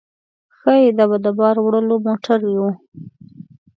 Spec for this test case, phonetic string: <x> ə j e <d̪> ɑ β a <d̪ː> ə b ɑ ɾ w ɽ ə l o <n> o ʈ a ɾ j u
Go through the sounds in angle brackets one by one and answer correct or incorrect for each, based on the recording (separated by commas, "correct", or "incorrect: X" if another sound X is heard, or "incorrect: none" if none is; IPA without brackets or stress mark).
correct, correct, incorrect: d̪, incorrect: m